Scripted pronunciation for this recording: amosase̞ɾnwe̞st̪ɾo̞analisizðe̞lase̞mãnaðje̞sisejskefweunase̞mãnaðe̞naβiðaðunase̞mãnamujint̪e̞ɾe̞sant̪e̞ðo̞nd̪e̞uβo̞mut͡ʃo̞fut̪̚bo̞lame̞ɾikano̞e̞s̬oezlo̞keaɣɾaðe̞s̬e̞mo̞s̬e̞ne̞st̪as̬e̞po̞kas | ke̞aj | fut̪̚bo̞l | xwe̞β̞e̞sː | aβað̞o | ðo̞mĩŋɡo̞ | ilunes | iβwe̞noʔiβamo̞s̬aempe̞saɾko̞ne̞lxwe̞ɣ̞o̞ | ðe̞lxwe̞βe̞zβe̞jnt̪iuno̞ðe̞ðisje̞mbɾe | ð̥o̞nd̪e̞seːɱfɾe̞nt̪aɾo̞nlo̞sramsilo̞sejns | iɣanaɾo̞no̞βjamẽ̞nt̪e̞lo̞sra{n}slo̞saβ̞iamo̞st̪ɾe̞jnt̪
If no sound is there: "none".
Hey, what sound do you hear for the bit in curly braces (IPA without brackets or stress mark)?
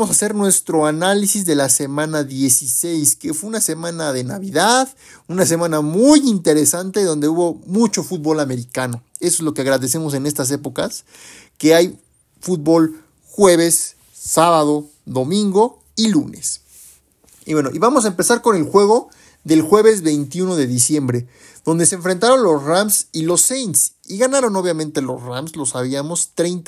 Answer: m